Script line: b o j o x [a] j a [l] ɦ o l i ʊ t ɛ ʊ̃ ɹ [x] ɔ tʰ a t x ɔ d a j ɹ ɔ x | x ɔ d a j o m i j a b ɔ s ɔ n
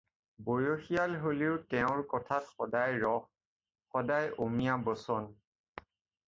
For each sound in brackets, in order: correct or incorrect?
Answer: incorrect, correct, incorrect

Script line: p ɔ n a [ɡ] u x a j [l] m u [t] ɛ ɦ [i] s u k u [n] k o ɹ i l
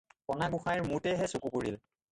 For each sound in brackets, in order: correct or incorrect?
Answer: correct, incorrect, correct, incorrect, incorrect

